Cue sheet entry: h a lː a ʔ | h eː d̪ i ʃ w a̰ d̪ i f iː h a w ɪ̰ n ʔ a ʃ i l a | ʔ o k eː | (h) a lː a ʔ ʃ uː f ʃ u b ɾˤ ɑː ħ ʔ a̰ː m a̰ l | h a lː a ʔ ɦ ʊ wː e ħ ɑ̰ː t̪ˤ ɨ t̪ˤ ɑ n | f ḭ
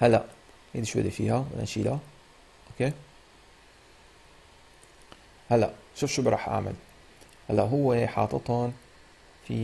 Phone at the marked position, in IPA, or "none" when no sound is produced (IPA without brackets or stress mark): h